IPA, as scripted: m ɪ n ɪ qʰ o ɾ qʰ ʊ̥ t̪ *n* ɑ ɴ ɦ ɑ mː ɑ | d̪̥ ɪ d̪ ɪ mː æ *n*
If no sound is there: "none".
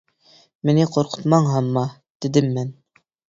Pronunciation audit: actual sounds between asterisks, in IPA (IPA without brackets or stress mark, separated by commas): m, n